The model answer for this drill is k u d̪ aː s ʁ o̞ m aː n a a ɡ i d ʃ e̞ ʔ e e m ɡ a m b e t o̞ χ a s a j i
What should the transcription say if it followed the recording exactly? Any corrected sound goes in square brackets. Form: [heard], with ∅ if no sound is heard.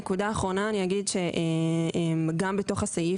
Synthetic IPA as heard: k u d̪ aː [χ] ʁ o̞ [n] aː n [i] a ɡ i d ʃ e̞ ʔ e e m ɡ a m b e t o̞ χ a s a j i